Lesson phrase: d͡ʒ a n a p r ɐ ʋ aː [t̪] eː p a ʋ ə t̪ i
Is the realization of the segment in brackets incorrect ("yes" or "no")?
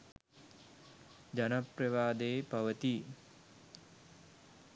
yes